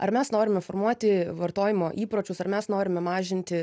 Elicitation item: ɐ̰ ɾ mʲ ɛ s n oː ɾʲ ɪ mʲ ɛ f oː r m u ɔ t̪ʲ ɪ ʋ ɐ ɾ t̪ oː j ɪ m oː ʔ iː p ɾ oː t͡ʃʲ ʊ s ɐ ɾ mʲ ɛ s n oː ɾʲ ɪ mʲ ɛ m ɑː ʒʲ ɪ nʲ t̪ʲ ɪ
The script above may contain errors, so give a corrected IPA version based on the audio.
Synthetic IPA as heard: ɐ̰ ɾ mʲ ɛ s n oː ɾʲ ɪ mʲ ɛ f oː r m u ɔ t̪ʲ ɪ ʋ ɐ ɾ t̪ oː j ɪ m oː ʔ iː p ɾ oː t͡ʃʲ ʊ s ɐ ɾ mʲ ɛ s n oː ɾʲ ɪ mʲ ɛ m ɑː ʒʲ ɪ nʲ t̪ʲ ɪ